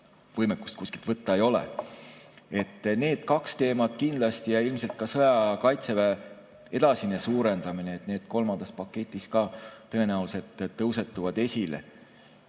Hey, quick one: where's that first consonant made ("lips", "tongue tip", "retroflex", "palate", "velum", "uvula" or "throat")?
lips